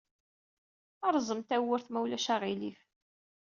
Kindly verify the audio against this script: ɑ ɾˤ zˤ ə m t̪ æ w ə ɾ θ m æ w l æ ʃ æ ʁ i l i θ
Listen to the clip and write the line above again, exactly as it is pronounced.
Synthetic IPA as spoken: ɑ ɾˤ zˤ ə m t̪ æ w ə ɾ θ m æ w l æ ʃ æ ʁ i l i f